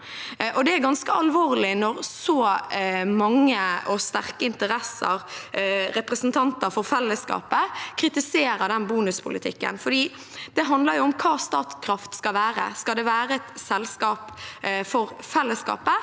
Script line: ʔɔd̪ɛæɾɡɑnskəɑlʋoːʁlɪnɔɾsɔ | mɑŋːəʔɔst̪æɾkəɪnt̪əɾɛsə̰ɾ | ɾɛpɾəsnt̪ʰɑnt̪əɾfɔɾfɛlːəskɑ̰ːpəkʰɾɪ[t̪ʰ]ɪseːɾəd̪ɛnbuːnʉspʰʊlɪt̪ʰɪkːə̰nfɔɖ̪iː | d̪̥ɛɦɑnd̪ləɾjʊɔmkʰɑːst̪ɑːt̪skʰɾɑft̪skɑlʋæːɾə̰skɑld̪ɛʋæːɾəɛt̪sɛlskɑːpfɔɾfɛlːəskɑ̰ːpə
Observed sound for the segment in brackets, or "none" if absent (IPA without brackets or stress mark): t̪